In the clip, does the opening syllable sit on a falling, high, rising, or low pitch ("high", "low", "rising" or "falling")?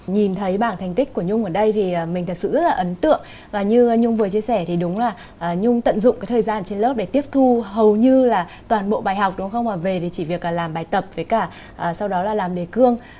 low